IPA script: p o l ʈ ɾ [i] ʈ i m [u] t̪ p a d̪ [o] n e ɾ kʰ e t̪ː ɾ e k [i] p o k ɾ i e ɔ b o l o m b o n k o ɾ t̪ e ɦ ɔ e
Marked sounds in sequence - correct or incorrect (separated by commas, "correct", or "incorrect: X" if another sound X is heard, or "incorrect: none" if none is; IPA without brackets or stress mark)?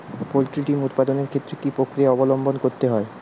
correct, correct, correct, correct